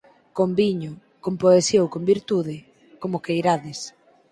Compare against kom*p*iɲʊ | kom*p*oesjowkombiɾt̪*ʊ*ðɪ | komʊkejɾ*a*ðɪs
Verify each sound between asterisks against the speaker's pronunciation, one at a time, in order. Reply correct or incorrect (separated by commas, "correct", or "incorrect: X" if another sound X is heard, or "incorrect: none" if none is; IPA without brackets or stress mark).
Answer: incorrect: b, correct, incorrect: u, correct